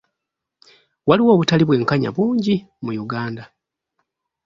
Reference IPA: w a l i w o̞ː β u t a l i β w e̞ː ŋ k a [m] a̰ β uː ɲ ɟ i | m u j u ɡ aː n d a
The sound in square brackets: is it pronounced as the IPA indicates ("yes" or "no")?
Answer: no